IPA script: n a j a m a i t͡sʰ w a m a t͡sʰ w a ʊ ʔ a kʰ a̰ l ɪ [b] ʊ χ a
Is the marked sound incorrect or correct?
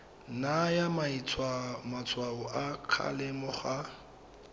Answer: incorrect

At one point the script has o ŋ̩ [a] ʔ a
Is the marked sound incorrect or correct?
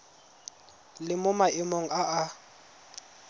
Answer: correct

